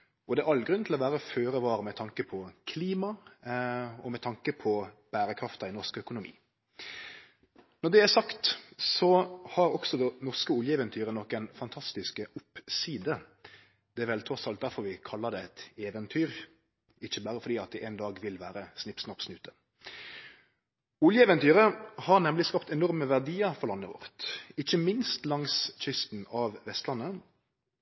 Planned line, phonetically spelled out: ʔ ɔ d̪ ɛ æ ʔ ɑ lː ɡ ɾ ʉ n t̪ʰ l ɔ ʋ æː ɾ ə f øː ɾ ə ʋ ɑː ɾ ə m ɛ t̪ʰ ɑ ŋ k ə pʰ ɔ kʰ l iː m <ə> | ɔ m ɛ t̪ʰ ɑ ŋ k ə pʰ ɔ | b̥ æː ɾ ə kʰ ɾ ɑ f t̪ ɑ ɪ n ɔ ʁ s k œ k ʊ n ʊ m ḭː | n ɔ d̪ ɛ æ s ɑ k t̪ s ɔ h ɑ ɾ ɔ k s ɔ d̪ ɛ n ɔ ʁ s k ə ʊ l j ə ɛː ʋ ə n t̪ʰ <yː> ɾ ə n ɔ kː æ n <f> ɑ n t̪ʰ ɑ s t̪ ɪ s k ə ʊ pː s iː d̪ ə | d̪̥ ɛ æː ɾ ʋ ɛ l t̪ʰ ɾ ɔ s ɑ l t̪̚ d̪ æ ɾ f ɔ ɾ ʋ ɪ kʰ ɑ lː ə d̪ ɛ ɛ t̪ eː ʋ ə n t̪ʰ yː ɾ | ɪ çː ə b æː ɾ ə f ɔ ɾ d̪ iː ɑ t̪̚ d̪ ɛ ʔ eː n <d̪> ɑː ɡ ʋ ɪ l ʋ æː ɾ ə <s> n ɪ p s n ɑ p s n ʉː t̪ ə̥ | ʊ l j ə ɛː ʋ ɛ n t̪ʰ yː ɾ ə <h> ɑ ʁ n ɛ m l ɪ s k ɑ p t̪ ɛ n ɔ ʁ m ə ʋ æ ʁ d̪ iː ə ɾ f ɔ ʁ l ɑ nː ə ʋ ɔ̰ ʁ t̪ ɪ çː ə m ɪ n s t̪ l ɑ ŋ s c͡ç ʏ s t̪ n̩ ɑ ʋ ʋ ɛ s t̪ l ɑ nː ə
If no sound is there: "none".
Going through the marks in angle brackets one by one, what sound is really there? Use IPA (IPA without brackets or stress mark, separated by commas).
ɑ, yː, f, d̪, s, h